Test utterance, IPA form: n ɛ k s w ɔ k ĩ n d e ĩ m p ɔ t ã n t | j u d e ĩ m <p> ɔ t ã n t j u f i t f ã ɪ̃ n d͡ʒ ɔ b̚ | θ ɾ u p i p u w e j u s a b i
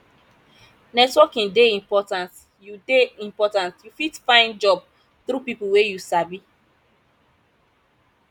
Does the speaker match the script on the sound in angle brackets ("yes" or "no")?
yes